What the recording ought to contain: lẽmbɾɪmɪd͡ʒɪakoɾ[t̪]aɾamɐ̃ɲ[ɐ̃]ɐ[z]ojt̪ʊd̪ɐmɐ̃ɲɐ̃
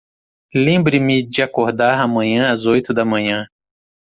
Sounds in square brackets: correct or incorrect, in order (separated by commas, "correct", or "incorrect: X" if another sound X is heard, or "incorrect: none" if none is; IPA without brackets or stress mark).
incorrect: d̪, correct, correct